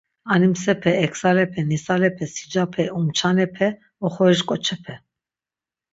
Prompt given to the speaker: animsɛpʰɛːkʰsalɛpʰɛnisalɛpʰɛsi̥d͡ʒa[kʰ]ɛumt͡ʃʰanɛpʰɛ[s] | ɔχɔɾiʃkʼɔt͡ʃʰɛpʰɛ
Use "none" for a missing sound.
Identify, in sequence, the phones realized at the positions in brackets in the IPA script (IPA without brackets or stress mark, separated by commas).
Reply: pʰ, none